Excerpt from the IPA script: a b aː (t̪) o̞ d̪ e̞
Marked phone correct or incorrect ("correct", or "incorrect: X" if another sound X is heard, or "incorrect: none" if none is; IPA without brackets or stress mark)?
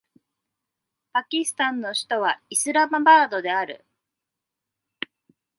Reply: incorrect: d̪